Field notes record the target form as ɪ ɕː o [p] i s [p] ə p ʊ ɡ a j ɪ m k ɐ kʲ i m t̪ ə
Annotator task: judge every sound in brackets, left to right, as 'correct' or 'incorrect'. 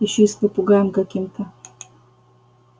incorrect: none, correct

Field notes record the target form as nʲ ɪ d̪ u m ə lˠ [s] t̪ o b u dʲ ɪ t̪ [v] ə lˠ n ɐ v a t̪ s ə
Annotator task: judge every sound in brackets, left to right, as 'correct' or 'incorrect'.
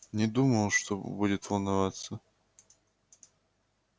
incorrect: ʂ, correct

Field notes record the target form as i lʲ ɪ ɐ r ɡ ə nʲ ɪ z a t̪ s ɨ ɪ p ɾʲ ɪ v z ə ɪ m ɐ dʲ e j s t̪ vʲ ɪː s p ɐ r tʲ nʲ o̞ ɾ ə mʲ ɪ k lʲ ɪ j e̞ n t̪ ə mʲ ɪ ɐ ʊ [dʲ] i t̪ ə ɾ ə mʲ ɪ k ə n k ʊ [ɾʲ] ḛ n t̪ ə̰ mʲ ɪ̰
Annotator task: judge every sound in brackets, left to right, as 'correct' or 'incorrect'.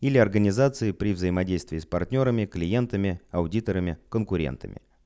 correct, correct

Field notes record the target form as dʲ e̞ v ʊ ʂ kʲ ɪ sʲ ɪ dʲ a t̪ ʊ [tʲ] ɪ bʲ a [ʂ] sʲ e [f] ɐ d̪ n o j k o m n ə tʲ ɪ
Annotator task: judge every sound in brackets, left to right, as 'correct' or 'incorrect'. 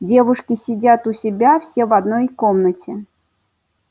incorrect: sʲ, incorrect: f, incorrect: v

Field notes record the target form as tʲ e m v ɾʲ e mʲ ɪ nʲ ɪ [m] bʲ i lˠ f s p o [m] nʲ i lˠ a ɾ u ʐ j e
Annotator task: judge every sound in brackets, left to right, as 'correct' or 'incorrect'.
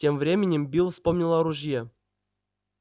correct, correct

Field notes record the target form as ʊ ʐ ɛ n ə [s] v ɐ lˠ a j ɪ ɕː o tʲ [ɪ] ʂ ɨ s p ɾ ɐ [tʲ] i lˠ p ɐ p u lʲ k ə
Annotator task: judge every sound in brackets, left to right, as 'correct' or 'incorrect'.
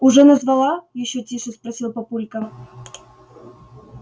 incorrect: z, incorrect: i, incorrect: sʲ

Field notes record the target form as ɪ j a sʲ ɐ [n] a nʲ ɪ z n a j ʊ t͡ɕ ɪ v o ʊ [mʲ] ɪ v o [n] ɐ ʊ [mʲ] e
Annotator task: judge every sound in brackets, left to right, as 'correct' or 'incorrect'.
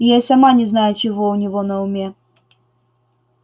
incorrect: m, incorrect: nʲ, correct, correct

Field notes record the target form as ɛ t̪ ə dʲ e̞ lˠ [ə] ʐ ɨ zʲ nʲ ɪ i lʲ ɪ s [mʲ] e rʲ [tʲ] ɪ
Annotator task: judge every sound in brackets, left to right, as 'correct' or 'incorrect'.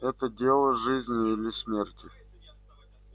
correct, correct, correct

